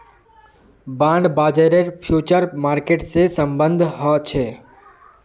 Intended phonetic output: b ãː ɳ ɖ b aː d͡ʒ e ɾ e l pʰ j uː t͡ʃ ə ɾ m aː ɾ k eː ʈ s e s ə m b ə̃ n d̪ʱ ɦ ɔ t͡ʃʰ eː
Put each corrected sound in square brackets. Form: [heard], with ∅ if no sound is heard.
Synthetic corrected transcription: b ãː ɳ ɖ b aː d͡ʒ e ɾ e [ɾ] pʰ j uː t͡ʃ ə ɾ m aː ɾ k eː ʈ s e s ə m b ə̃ n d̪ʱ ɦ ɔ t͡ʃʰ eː